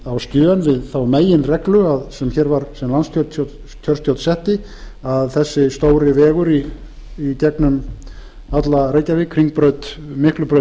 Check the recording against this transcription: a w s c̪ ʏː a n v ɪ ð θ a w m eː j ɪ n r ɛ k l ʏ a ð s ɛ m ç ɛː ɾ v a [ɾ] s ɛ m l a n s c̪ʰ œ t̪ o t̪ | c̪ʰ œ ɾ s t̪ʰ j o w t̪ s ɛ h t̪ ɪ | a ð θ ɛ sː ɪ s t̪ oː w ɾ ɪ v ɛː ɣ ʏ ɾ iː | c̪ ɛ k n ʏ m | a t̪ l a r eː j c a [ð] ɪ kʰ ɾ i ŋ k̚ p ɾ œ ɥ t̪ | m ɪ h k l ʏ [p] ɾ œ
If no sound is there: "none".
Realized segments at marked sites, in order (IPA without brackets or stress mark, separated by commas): ɾ, v, p